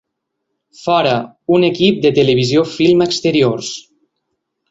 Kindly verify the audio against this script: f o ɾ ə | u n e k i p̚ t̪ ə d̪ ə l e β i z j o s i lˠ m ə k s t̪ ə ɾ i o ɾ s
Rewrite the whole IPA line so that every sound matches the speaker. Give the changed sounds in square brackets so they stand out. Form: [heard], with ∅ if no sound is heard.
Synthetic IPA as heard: f [ɔ] ɾ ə | u n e k i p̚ [d̪] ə [t̪] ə l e β i z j o [f] i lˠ m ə k s t̪ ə ɾ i o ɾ s